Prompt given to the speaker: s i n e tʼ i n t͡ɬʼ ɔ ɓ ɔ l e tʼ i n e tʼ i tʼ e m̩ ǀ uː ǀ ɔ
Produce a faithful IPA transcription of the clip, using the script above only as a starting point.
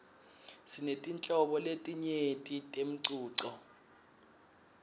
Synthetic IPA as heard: s i n e tʼ i n t͡ɬʼ ɔ ɓ ɔ l e tʼ i ɲ e tʼ i tʼ e m̩ ǀ uː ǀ ɔ